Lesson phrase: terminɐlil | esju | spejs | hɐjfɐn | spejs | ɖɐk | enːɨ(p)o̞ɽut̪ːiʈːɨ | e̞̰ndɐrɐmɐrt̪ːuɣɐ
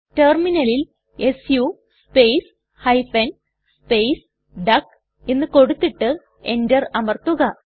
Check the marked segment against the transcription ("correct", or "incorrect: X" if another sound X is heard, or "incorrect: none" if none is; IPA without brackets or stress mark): incorrect: k